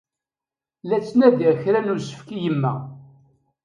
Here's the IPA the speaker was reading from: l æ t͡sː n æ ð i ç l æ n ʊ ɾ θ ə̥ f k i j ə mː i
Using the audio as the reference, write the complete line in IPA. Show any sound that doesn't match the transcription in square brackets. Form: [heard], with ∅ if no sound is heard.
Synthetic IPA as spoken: l æ t͡sː n æ ð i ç [ɾ] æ n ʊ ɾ [s] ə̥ f k i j ə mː [æ]